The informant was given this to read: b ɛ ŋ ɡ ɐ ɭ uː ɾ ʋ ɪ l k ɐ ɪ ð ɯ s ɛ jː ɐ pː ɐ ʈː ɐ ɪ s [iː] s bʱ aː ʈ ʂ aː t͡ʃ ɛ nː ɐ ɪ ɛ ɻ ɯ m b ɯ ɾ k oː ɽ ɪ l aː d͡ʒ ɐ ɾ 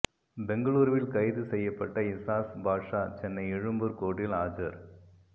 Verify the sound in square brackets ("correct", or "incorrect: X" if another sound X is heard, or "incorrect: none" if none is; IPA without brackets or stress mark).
incorrect: aː